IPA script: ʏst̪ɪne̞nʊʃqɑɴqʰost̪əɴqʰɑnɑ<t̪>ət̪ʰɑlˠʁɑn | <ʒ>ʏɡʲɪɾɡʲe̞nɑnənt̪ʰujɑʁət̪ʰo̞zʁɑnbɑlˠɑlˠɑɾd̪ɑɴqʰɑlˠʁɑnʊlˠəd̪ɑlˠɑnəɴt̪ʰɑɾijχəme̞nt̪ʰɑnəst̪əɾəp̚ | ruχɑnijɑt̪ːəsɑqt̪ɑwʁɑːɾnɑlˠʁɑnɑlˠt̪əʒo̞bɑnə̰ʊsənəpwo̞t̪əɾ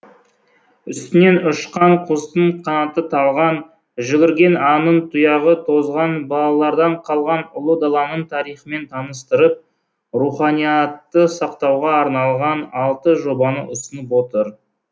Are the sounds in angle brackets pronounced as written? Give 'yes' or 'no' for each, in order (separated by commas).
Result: yes, yes